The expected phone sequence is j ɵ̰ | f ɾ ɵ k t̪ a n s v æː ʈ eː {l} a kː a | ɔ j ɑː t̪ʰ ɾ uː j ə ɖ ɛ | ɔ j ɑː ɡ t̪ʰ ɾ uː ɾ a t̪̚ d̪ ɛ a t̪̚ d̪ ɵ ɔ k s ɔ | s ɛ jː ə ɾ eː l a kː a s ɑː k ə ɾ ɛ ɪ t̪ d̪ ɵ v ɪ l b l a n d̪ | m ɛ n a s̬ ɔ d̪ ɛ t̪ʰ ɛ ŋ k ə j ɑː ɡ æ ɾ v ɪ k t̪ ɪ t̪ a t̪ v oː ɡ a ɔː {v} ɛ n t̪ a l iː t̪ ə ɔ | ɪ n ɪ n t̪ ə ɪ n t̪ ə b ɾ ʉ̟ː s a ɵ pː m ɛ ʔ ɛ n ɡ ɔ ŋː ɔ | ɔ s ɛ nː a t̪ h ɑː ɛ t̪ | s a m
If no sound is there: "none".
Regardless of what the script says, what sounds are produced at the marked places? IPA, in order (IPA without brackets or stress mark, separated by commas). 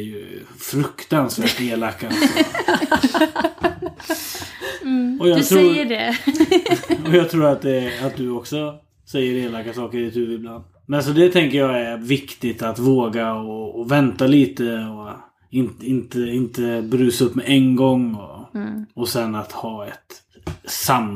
l, v